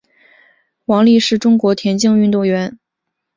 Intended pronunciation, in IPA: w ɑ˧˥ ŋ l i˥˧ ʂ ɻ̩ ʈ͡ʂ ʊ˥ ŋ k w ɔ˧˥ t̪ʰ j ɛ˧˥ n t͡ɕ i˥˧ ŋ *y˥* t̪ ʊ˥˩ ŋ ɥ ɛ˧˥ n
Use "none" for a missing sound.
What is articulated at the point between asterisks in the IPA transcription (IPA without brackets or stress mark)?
y˥˧